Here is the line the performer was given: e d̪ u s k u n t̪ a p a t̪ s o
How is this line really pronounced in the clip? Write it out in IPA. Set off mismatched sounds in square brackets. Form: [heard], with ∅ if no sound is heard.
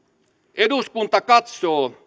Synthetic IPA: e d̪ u s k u n t̪ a [k] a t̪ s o